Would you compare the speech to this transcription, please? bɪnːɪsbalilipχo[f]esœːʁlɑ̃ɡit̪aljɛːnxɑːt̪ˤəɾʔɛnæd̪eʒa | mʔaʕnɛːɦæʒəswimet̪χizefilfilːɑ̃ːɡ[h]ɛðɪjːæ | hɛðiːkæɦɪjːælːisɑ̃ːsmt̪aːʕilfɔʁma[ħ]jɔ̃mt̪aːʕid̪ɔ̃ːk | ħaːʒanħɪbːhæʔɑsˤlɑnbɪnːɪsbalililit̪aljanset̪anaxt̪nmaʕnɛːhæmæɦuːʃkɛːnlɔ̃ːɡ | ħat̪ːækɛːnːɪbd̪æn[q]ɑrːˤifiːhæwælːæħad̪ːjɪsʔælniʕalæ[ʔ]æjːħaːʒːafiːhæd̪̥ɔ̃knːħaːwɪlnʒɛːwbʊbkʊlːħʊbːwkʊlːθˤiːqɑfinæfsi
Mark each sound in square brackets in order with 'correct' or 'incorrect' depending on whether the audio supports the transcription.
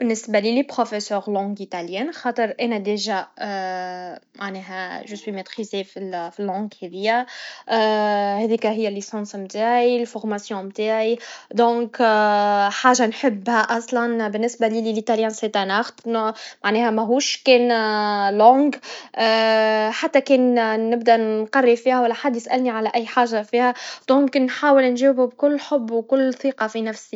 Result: correct, correct, incorrect: s, correct, correct

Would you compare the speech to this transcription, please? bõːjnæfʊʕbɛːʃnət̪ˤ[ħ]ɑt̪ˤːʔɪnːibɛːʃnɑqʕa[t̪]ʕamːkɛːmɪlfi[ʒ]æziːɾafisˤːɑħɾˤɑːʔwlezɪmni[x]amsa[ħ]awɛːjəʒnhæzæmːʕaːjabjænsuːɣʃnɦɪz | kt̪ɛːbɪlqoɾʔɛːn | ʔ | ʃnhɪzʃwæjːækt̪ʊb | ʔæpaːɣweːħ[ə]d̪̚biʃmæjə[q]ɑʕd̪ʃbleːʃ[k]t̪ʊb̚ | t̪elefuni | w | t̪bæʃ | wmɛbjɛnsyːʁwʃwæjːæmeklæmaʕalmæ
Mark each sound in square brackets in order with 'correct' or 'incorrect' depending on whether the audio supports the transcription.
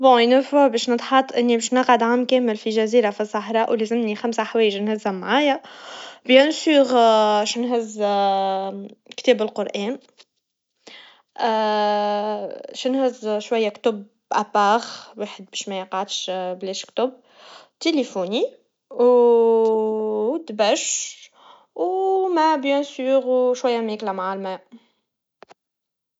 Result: correct, incorrect: d̪, correct, correct, correct, correct, correct, correct

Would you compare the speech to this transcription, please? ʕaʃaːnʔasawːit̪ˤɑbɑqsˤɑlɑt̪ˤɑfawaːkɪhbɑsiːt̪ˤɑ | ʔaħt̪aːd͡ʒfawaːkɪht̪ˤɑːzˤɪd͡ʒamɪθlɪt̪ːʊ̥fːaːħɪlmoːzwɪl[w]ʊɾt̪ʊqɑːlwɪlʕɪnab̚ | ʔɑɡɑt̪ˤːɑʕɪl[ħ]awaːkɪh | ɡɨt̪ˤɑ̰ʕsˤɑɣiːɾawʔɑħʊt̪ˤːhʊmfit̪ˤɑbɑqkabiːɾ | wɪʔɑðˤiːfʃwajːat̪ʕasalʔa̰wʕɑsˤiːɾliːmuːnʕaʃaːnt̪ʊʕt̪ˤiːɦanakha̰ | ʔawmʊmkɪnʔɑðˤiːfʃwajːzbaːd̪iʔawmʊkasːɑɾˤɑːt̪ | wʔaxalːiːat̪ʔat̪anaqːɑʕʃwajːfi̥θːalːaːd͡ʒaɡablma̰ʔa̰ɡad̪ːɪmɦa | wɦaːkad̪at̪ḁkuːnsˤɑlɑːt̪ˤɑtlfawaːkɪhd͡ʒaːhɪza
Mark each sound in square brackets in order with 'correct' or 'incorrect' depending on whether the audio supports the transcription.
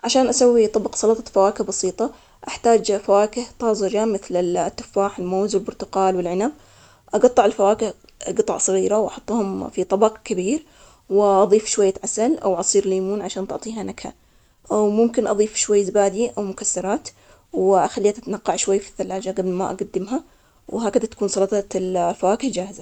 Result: incorrect: b, incorrect: f

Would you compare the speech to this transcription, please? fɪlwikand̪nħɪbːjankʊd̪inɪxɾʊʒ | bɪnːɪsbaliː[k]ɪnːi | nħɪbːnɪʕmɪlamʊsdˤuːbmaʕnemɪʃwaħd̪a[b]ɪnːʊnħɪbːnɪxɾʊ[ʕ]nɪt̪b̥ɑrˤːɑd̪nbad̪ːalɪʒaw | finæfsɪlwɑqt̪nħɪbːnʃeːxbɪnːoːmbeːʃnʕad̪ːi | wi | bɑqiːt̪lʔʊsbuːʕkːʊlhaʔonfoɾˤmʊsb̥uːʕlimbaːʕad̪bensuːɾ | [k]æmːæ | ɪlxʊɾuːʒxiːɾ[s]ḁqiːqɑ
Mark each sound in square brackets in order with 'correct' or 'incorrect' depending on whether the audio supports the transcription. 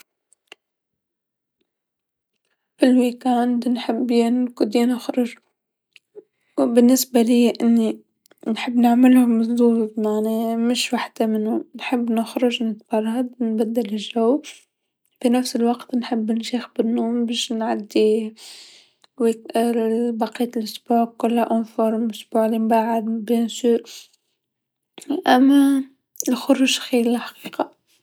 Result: incorrect: ʔ, incorrect: m, incorrect: ʒ, incorrect: ʔ, incorrect: ħ

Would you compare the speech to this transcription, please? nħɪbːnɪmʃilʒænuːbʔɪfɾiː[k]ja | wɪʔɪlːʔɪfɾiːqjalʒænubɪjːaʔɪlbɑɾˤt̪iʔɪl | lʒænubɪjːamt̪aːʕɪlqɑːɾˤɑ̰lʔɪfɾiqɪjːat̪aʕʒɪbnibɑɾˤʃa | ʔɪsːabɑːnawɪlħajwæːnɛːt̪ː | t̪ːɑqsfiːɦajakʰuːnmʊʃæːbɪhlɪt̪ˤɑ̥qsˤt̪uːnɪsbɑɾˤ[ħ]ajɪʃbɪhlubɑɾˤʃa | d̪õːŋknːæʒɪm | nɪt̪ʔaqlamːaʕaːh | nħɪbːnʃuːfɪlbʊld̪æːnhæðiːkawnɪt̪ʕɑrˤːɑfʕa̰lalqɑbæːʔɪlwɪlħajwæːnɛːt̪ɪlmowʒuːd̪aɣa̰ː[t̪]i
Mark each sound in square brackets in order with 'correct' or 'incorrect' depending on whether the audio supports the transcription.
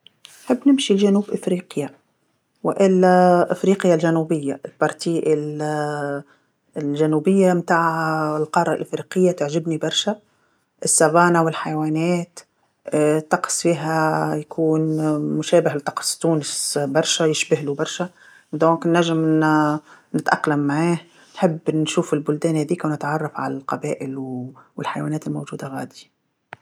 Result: incorrect: q, incorrect: ʃ, incorrect: d̪

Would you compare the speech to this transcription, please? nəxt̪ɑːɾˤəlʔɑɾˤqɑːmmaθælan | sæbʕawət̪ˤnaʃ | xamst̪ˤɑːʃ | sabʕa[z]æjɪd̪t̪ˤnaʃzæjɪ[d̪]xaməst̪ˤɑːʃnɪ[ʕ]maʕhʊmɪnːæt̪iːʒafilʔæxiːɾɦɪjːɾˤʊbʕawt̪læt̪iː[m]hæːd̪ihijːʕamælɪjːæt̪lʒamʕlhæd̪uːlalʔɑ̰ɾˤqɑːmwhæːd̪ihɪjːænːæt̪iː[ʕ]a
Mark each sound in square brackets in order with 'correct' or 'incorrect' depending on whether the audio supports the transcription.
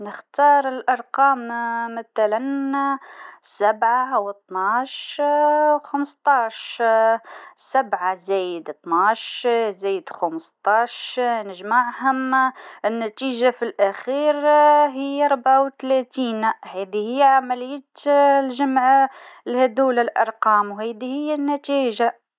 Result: correct, correct, incorrect: ʒ, incorrect: n, incorrect: ʒ

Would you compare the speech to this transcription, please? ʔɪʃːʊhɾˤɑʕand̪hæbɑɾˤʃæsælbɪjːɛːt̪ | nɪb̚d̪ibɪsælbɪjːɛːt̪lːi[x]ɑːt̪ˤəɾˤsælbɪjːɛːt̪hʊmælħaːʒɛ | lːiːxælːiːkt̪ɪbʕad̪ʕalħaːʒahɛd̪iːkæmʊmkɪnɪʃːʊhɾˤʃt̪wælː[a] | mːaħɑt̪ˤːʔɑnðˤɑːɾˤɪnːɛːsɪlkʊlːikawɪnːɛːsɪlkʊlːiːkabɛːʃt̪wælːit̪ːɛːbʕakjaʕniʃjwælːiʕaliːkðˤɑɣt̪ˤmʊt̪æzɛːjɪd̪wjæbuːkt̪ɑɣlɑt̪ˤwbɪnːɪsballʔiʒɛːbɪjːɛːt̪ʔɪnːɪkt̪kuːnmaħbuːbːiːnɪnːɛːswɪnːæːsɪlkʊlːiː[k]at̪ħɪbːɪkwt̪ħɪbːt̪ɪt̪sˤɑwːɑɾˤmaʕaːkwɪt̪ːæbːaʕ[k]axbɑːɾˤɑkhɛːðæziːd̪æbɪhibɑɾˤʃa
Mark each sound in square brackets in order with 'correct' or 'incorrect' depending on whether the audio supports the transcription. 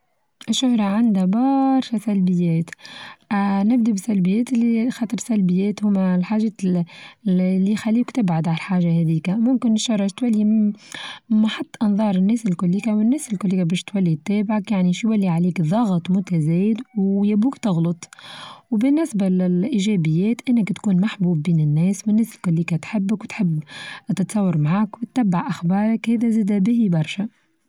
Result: correct, incorrect: i, correct, incorrect: ʔ

